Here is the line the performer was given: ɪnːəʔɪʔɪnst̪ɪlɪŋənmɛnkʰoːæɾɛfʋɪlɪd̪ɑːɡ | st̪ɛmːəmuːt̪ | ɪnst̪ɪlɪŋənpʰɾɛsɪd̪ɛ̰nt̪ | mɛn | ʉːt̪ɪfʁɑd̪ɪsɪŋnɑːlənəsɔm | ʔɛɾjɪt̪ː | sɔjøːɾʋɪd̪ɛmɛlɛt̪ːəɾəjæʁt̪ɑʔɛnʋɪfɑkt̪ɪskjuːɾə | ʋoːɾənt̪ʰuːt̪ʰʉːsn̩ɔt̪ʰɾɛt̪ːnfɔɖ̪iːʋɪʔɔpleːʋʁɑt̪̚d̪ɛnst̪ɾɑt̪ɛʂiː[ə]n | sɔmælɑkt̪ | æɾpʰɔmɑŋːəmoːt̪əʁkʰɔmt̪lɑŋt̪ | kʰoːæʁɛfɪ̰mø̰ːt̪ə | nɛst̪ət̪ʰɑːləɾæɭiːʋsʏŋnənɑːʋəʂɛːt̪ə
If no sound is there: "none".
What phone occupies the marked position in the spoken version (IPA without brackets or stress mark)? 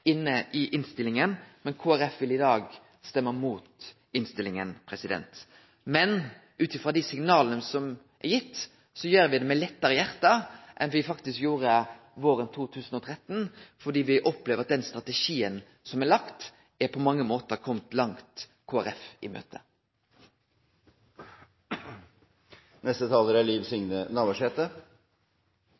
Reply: ə